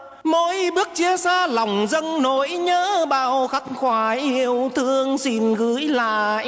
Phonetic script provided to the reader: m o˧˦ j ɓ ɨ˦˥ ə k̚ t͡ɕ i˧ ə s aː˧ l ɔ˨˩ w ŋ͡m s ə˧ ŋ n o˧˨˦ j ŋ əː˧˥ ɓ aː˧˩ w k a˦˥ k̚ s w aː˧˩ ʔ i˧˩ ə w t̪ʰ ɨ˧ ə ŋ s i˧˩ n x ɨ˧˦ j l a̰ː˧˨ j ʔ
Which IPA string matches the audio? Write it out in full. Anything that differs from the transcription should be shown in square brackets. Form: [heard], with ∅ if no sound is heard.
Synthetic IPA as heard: m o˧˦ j ɓ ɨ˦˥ ə k̚ t͡ɕ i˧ ə s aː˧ l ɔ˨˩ w ŋ͡m [z] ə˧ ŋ n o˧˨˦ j [ɲ] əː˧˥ ɓ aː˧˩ w [x] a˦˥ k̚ [x] w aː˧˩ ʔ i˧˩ ə w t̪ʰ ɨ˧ ə ŋ s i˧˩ n [ɣ] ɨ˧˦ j l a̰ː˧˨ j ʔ